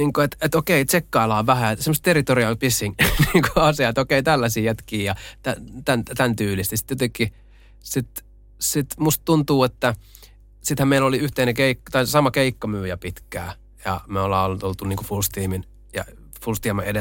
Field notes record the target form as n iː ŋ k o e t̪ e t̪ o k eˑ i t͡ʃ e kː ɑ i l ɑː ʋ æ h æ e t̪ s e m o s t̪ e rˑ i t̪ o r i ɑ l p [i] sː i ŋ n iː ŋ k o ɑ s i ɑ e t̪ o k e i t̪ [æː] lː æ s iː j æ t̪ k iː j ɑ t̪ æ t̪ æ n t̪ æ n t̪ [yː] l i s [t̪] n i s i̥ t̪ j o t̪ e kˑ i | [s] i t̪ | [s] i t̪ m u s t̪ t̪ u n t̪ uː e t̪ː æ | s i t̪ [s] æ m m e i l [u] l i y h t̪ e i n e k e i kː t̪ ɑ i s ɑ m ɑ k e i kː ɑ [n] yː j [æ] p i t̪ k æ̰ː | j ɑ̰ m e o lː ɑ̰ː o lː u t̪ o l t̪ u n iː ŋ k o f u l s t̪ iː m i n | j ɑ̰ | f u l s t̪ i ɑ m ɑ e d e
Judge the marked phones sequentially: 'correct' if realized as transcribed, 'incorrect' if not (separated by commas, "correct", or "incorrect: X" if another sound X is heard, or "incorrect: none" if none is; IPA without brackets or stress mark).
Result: correct, incorrect: æ, correct, correct, correct, correct, incorrect: h, incorrect: o, incorrect: m, correct